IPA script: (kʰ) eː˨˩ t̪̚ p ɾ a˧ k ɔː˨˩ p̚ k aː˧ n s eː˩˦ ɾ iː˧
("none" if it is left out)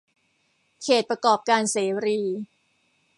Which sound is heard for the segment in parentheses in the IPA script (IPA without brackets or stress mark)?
kʰ